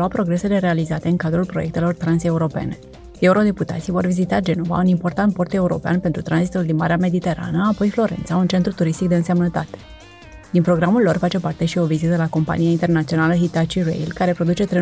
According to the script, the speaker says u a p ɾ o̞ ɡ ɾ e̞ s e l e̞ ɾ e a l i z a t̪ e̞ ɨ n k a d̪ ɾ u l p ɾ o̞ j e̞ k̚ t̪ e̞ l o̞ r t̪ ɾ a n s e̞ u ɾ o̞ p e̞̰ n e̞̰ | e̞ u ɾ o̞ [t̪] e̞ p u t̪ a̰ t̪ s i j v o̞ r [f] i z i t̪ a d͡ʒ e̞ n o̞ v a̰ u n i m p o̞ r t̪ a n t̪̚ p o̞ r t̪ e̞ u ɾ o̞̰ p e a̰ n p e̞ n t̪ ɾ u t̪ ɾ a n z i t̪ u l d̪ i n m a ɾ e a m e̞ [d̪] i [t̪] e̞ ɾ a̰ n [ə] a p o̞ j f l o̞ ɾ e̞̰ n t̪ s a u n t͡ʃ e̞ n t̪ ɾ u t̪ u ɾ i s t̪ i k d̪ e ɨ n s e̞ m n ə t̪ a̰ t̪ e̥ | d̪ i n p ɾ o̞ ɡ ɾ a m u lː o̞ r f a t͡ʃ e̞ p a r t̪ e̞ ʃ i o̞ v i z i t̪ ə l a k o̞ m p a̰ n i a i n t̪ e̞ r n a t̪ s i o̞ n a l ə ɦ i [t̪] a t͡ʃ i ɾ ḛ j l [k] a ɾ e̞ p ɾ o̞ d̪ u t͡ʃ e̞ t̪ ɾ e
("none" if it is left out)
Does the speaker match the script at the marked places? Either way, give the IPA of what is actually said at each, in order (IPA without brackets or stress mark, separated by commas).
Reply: d̪, v, d̪, t̪, ə, t̪, k